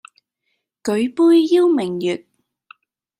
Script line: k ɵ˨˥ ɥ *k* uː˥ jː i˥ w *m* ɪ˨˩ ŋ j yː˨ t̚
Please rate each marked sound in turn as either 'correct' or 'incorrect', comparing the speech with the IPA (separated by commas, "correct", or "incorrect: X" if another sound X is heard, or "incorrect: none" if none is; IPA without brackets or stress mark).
incorrect: p, correct